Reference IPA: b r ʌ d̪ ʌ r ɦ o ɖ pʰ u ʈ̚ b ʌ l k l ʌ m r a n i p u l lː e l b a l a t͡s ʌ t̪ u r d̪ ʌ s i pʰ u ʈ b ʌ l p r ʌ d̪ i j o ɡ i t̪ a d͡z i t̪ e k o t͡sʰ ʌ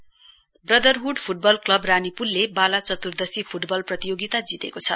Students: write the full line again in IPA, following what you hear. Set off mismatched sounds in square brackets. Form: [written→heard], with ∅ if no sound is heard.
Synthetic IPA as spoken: b r ʌ d̪ ʌ r ɦ [o→u] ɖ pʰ u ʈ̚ b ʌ l k l ʌ [m→b] r a n i p u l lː e [l→∅] b a l a t͡s ʌ t̪ u r d̪ ʌ s i pʰ u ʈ b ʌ l p r ʌ [d̪→t̪] i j o ɡ i t̪ a d͡z i t̪ e k o t͡sʰ ʌ